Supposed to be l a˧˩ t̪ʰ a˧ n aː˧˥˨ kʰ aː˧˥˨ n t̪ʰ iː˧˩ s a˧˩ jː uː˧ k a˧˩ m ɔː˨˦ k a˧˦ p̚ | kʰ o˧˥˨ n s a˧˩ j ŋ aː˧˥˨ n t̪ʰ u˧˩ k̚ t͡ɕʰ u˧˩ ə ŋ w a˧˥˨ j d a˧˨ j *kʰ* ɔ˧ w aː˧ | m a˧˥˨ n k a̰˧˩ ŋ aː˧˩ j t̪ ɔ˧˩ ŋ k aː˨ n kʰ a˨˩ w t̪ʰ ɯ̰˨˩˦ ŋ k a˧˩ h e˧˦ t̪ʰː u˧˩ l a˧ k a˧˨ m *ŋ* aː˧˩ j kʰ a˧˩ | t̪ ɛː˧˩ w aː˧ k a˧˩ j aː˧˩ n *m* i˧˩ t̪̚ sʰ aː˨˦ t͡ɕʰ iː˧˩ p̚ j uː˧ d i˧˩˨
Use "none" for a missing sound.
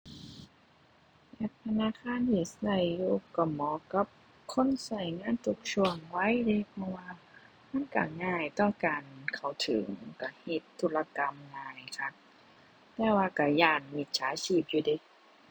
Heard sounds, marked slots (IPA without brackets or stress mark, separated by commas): pʰ, ŋ, m